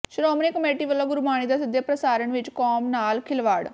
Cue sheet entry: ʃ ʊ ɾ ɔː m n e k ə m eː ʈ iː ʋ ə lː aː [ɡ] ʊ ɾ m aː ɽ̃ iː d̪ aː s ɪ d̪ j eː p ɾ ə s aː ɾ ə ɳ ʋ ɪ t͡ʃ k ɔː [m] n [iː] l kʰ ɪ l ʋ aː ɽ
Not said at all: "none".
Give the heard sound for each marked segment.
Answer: ɡ, m, aː

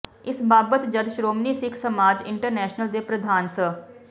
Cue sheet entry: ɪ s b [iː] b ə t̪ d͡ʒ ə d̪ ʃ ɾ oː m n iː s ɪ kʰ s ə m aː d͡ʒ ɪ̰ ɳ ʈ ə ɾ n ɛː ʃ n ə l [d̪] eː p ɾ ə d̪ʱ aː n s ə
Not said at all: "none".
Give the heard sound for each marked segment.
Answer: aː, d̪

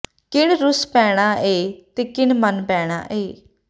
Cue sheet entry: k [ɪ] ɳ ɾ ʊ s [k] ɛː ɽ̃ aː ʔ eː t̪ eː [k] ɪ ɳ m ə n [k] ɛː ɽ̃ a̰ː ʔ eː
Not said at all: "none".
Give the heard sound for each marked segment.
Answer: ɪ, p, k, p

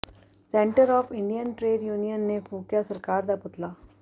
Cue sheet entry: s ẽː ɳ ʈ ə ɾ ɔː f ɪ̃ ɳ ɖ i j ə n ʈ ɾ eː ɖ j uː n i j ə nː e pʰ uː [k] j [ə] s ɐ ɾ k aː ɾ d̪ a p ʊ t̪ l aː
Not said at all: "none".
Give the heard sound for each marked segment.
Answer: k, a

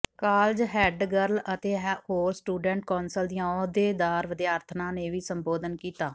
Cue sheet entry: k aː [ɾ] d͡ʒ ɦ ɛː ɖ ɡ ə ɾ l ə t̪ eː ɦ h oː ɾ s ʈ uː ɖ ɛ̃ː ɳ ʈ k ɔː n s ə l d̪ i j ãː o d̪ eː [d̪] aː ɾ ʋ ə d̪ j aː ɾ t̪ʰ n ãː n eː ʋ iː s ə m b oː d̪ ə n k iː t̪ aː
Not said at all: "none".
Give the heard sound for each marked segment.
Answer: l, d̪

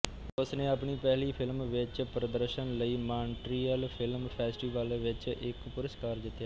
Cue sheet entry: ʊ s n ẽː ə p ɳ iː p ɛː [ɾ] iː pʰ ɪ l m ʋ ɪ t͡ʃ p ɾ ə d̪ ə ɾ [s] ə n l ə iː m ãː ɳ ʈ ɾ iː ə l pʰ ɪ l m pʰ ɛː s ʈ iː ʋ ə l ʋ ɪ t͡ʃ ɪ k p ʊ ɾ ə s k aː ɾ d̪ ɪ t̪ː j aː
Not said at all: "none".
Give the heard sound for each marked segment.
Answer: l, ʃ

